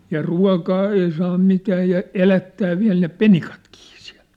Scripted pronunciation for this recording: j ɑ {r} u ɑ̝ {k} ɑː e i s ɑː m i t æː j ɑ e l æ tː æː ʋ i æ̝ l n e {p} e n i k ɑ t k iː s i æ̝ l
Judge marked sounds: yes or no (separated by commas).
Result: yes, yes, yes